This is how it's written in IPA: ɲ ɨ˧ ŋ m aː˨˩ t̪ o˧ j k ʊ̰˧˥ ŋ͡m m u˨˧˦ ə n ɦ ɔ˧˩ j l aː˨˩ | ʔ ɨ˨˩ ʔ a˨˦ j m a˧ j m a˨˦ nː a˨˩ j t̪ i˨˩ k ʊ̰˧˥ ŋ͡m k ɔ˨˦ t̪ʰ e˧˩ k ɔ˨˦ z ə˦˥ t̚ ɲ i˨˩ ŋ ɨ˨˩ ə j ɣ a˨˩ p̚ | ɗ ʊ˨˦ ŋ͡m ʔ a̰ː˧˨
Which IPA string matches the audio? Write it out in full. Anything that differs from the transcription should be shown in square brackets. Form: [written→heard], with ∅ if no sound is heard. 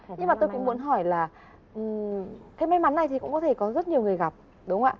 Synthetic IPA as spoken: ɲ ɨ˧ ŋ m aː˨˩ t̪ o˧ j k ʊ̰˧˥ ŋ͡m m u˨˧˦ ə n ɦ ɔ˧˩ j l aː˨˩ | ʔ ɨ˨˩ [ʔ→k] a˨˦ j m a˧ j m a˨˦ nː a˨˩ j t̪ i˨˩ k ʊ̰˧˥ ŋ͡m k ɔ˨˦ t̪ʰ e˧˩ k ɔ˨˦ z ə˦˥ t̚ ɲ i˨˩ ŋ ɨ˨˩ ə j ɣ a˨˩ p̚ | ɗ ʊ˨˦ ŋ͡m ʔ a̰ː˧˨